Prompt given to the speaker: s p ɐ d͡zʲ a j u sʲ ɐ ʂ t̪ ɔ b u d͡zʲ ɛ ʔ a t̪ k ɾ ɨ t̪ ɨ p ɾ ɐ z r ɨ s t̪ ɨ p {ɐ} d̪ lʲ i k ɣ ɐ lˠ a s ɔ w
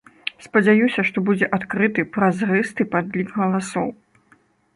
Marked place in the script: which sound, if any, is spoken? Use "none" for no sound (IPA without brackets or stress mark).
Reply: a